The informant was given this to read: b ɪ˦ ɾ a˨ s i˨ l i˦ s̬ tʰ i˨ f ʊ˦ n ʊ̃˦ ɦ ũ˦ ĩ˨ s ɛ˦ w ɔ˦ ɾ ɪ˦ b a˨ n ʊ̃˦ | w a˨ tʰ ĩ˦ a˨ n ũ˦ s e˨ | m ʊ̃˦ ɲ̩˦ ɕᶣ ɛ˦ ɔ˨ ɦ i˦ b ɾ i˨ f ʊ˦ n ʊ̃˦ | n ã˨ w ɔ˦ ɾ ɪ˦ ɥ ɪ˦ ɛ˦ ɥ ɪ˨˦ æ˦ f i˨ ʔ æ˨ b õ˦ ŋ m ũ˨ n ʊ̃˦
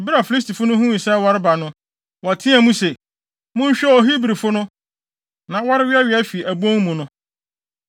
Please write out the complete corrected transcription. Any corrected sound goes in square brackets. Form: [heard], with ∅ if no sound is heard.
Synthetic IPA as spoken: b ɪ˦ ɾ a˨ [f] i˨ l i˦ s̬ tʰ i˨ f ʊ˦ n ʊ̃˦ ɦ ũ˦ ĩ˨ s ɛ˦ w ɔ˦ ɾ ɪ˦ b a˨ n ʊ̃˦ | w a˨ tʰ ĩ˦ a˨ [m] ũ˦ s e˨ | m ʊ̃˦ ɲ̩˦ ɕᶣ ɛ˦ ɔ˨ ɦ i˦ b ɾ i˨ f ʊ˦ n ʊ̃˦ | n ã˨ w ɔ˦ ɾ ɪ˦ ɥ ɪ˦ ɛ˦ ɥ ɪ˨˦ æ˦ f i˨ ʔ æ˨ b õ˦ ŋ m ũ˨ n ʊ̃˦